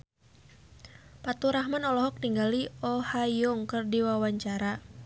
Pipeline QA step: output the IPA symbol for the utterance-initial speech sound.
p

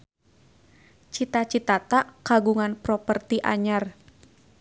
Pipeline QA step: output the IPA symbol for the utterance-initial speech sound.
t͡ʃ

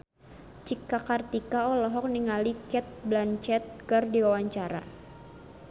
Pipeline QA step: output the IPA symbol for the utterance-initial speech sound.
t͡ʃ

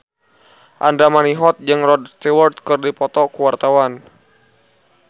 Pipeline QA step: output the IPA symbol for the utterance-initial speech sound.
ʔ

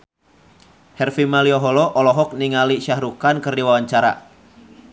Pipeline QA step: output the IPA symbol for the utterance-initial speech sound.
h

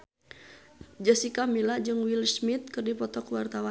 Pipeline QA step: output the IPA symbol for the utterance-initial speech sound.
d͡ʒ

